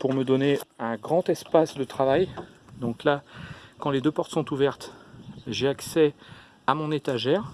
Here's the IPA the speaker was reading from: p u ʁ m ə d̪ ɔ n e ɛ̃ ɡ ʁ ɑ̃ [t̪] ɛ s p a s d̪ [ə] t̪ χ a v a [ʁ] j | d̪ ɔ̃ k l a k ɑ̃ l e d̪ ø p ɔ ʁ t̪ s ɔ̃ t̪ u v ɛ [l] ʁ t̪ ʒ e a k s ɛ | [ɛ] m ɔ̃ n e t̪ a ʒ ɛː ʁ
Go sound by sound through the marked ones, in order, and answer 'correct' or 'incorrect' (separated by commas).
correct, correct, incorrect, incorrect, incorrect